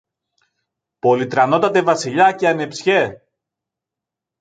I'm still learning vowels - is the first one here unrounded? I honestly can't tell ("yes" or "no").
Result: no